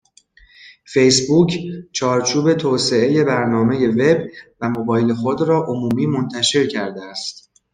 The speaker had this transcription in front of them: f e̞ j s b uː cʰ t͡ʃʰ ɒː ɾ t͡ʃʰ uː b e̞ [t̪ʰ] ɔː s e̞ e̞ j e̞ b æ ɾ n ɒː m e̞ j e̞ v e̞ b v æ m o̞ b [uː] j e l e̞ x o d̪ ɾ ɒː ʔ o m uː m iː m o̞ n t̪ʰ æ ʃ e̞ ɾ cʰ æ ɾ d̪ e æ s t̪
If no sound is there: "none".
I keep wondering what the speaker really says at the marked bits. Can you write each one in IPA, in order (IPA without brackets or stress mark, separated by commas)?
t̪ʰ, ɒː